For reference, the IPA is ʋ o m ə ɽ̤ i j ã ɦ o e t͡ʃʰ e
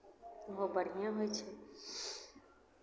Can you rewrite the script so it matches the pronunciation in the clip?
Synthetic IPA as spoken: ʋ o b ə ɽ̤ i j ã ɦ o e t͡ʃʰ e